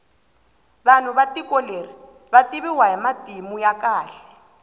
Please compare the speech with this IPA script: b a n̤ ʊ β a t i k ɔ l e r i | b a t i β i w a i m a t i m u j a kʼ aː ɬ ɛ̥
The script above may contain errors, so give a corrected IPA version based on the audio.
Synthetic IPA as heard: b a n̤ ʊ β a t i k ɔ l e r i | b a t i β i w a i m a t i m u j a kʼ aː ɬ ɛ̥